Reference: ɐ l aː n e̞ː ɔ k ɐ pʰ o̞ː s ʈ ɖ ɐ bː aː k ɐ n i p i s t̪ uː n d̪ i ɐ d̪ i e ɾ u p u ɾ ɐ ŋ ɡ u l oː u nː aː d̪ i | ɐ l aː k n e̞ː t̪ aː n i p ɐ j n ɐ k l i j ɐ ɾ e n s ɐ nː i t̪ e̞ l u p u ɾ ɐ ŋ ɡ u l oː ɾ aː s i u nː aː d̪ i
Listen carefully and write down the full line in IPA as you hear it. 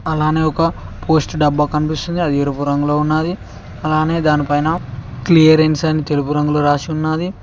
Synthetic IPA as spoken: ɐ l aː n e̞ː ɔ k ɐ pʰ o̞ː s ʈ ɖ ɐ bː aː k ɐ n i p i s t̪ u n d̪ i ɐ d̪ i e ɾ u p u ɾ ɐ ŋ ɡ u l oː u nː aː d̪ i | ɐ l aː n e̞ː d̪ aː n i p ɐ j n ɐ k l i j ɐ ɾ e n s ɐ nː i t̪ e̞ l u p u ɾ ɐ ŋ ɡ u l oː ɾ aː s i u nː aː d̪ i